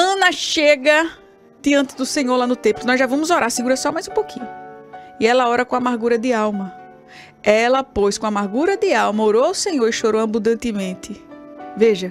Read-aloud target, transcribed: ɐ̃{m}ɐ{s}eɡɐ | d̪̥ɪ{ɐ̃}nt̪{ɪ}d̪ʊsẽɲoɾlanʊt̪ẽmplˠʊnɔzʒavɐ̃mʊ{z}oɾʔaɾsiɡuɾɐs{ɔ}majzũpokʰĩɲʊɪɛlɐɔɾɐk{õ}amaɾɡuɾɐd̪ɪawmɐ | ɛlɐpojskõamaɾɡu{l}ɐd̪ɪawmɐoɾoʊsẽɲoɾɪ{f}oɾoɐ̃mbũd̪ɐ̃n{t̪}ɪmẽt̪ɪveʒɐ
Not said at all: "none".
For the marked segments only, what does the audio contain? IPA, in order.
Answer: n, ʃ, ɐ̃, ɪ, z, ɔ, õ, ɾ, ʃ, t̪

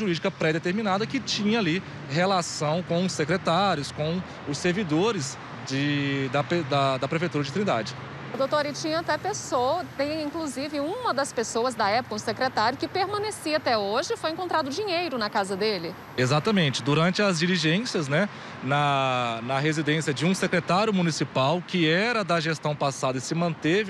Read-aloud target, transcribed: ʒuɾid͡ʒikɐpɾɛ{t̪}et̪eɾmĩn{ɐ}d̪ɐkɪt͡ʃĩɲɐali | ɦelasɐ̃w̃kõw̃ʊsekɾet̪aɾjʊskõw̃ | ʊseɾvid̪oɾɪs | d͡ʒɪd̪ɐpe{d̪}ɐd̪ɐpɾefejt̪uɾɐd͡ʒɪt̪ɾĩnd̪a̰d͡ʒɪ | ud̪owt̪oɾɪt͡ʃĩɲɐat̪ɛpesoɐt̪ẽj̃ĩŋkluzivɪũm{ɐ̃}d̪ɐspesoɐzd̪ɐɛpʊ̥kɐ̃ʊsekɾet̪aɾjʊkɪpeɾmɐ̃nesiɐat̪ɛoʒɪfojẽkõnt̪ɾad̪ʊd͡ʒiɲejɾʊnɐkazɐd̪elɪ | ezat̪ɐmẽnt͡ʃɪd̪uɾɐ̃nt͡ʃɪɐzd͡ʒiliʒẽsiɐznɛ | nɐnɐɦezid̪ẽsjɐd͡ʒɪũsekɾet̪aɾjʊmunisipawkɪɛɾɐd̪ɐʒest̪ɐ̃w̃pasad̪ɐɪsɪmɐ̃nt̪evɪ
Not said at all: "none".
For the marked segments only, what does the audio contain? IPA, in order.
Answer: d̪, a, d̪, ɐ

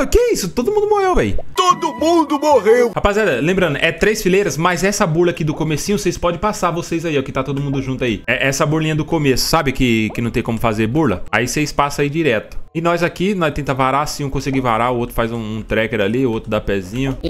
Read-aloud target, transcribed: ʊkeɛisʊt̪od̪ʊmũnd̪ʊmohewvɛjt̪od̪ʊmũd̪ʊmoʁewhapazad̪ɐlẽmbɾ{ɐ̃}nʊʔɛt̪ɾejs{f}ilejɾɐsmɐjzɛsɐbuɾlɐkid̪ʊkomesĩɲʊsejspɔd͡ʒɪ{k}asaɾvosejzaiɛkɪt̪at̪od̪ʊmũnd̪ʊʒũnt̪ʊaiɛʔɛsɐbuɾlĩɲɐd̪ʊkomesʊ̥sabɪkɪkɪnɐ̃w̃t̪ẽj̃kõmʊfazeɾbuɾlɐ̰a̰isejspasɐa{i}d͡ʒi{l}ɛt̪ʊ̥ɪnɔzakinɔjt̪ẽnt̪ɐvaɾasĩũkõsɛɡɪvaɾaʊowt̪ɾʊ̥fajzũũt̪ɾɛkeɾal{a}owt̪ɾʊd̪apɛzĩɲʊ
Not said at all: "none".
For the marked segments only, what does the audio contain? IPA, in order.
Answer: ɐ̃, f, p, i, ɾ, i

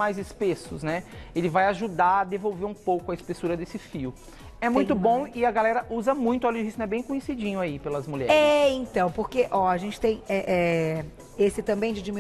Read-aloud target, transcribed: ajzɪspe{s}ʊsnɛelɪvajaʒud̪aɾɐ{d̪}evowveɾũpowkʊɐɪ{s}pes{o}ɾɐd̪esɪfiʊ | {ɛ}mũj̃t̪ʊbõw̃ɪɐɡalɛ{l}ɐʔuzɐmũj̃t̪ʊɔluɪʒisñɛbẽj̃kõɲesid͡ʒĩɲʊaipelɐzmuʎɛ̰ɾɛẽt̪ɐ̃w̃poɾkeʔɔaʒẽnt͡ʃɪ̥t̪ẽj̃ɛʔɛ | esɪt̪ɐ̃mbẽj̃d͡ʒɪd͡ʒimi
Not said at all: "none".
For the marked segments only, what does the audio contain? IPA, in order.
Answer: s, d̪, s, u, ɛ, ɾ

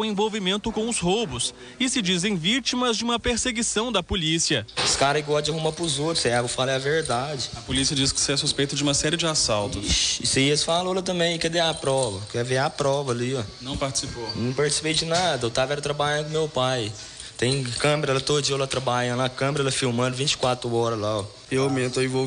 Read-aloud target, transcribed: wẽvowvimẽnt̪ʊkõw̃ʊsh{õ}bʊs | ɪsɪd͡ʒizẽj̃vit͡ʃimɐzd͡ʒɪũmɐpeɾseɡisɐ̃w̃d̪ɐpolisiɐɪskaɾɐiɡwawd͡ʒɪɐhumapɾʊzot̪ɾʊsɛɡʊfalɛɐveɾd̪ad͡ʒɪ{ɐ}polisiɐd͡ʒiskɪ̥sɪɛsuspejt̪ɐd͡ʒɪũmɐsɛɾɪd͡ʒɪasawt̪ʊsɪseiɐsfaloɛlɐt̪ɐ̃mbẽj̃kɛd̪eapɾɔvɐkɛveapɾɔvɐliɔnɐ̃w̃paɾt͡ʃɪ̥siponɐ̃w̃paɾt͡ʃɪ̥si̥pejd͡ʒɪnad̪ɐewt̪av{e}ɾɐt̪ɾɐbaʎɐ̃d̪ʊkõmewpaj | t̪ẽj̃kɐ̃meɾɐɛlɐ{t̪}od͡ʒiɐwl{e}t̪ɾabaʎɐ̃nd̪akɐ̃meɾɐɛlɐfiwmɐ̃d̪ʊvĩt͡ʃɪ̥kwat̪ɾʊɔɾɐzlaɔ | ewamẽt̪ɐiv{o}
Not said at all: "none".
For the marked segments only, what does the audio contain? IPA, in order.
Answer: o, ɐ, ɛ, t̪, a, o

